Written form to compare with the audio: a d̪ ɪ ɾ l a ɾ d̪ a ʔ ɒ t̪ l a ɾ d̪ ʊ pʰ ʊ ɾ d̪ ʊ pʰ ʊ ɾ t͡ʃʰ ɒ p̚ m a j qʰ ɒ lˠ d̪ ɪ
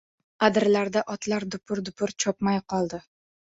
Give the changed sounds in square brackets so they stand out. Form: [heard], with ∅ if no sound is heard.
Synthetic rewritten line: a d̪ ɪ ɾ l a ɾ d̪ a ʔ ɒ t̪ l a ɾ d̪ ʊ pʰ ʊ ɾ d̪ ʊ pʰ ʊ ɾ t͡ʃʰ ɒ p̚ m a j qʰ ɒ lˠ d̪ ɪ